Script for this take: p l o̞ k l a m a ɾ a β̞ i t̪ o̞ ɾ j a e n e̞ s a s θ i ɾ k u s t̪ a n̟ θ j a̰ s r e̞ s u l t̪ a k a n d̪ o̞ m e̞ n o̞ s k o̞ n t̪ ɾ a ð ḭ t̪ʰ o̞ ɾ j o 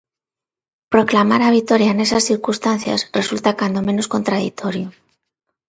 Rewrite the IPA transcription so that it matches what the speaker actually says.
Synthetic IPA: p ɾ o̞ k l a m a ɾ a β̞ i t̪ o̞ ɾ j a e n e̞ s a s θ i ɾ k u s t̪ a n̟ θ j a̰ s r e̞ s u l t̪ a k a n d̪ o̞ m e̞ n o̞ s k o̞ n t̪ ɾ a ð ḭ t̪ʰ o̞ ɾ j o